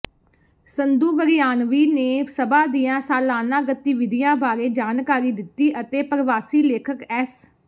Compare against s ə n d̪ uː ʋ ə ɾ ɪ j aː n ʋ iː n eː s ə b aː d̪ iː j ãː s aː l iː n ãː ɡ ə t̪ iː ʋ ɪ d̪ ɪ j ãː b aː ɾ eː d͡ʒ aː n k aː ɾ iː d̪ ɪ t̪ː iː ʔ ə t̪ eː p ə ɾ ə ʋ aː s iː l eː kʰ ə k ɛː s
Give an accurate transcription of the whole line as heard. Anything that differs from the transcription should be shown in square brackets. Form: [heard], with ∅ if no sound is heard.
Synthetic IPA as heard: s ə n d̪ uː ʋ ə ɾ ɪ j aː n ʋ iː n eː s ə b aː d̪ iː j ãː s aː l [aː] n ãː ɡ ə t̪ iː ʋ ɪ d̪ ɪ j ãː b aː ɾ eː d͡ʒ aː n k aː ɾ iː d̪ ɪ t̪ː iː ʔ ə t̪ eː p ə ɾ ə ʋ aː s iː l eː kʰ ə k ɛː s

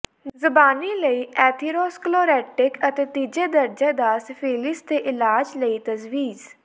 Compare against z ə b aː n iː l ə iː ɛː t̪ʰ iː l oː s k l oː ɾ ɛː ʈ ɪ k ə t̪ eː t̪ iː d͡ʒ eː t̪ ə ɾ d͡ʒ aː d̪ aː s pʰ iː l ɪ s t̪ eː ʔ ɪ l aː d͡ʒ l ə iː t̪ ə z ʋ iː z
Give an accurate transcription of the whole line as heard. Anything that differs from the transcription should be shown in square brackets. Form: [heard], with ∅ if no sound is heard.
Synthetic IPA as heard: z ə b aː n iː l ə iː ɛː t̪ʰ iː [ɾ] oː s k l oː ɾ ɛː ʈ ɪ k ə t̪ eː t̪ iː d͡ʒ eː [d̪] ə ɾ d͡ʒ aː d̪ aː s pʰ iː l ɪ s t̪ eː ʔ ɪ l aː d͡ʒ l ə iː t̪ ə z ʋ iː z

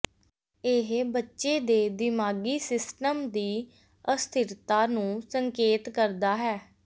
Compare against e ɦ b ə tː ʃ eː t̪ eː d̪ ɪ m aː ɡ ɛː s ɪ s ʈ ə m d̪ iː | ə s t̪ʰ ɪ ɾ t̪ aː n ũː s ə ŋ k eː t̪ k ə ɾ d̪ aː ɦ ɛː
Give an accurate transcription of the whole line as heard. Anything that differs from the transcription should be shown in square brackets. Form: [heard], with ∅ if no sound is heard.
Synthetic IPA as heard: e ɦ b ə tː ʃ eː [d̪] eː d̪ ɪ m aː ɡ [iː] s ɪ s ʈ ə m d̪ iː | ə s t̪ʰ ɪ ɾ t̪ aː n ũː s ə ŋ k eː t̪ k ə ɾ d̪ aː ɦ ɛː

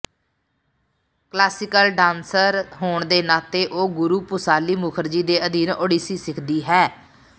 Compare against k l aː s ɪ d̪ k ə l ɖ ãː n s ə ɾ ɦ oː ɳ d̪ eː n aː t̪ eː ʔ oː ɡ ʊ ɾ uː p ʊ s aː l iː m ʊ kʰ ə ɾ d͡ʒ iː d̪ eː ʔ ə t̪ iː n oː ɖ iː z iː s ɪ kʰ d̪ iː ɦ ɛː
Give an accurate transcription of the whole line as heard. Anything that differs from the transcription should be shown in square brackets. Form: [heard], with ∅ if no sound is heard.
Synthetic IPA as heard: k l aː s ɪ [∅] k ə l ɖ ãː n s ə ɾ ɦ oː ɳ d̪ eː n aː t̪ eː ʔ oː ɡ ʊ ɾ uː p ʊ s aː l iː m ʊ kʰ ə ɾ d͡ʒ iː d̪ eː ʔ ə [d̪] iː n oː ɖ iː [s] iː s ɪ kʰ d̪ iː ɦ ɛː

